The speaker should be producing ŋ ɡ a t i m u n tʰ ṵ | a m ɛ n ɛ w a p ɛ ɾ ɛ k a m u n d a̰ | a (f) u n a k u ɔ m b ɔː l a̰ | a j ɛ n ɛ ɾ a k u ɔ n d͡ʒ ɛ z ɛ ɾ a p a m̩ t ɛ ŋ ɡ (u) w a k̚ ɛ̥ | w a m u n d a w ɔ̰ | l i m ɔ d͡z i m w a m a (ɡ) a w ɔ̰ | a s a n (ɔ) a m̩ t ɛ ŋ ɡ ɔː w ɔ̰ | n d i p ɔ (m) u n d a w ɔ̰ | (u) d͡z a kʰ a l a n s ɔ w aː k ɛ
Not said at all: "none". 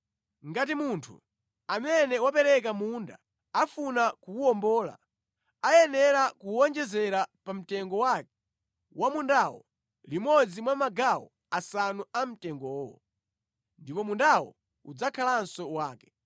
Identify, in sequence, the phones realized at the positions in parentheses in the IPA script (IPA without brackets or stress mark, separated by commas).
f, ɔ, ɡ, u, m, u